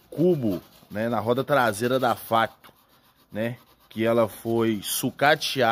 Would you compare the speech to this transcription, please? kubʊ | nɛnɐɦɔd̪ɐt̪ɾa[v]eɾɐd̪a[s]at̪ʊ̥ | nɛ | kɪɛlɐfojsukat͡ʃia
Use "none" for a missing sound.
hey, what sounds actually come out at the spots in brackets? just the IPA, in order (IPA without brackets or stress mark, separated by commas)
z, f